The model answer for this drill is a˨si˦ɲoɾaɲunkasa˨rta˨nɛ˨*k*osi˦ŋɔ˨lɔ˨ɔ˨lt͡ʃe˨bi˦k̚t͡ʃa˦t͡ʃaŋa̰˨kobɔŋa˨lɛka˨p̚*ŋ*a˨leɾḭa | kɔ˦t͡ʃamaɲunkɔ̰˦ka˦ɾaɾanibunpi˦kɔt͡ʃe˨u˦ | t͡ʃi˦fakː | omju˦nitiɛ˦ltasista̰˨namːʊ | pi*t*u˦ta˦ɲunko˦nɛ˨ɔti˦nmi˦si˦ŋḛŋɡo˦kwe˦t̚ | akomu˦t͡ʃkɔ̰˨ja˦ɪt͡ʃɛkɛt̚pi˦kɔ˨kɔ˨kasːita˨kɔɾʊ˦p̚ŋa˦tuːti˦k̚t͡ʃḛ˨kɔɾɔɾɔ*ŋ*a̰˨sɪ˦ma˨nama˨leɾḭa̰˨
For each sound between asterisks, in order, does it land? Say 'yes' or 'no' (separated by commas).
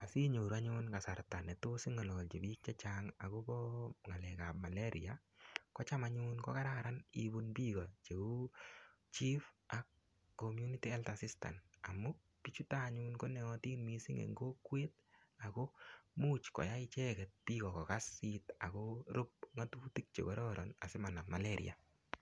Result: no, no, no, no